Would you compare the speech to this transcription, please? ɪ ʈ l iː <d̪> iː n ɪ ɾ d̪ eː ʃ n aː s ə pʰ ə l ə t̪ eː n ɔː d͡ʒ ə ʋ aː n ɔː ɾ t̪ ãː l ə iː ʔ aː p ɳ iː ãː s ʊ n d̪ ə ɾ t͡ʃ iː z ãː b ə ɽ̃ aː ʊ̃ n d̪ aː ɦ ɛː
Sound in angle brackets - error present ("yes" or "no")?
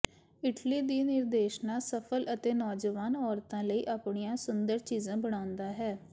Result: no